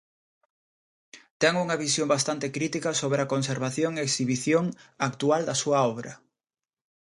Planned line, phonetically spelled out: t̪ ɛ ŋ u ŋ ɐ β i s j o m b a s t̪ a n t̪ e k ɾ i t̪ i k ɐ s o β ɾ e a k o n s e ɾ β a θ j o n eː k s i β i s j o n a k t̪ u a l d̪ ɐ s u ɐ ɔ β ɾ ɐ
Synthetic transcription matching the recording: t̪ ɛ ŋ u ŋ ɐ β i s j o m b a s t̪ a n t̪ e k ɾ i t̪ i k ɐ s o β ɾ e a k o n s e ɾ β a θ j o ŋ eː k s i β i θ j o ŋ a k t̪ u a l d̪ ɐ s u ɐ ɔ β ɾ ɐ